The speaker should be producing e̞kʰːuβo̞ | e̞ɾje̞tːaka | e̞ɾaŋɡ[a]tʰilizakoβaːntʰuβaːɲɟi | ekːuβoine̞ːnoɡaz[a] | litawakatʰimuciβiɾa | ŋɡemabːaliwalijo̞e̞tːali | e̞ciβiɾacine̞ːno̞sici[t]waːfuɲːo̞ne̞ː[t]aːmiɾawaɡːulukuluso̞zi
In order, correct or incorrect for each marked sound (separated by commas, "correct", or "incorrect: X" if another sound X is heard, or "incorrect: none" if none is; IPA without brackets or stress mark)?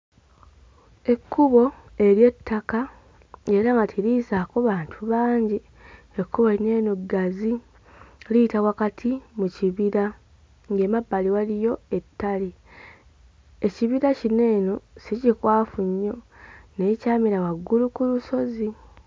correct, incorrect: i, incorrect: k, incorrect: c